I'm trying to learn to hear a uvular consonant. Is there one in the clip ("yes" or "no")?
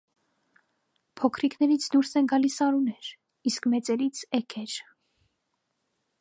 no